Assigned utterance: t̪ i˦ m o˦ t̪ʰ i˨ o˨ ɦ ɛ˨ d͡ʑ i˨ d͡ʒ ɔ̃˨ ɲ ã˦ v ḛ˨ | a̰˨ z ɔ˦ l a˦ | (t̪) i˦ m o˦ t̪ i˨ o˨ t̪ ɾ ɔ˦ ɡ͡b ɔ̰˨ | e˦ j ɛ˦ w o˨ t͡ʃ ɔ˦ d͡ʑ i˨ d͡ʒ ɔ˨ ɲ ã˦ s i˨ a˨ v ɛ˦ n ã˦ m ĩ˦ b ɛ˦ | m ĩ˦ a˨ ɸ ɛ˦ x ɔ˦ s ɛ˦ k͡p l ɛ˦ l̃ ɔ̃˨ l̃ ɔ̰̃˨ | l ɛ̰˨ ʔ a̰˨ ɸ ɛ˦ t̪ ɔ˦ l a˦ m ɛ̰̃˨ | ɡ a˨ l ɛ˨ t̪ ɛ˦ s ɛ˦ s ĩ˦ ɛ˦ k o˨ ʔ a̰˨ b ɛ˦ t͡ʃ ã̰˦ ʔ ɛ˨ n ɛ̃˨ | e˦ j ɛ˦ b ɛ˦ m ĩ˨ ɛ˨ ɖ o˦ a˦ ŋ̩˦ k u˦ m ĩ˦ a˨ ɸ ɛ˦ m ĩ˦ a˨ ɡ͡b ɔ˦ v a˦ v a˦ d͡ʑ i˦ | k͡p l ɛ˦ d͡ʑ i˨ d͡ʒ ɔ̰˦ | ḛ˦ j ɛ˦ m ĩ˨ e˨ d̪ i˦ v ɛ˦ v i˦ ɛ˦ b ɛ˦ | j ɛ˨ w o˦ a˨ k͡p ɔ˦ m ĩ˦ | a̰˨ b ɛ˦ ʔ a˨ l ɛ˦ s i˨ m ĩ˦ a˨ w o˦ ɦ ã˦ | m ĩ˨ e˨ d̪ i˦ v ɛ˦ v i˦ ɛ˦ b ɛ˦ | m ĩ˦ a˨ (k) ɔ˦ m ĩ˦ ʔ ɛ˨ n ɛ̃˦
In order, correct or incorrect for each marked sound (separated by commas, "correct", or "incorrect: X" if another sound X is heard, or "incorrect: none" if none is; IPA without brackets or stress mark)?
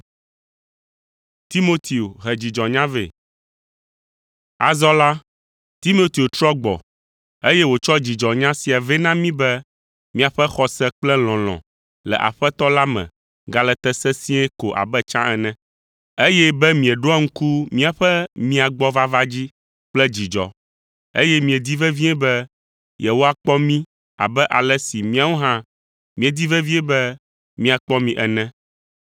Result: correct, incorrect: k͡p